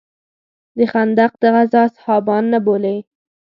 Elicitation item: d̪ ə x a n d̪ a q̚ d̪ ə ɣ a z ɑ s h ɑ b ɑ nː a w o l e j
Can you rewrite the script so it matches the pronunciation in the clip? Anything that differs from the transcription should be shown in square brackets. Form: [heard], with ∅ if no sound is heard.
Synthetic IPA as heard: d̪ ə x a n d̪ a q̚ d̪ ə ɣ a z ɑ s h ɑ b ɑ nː a [b] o l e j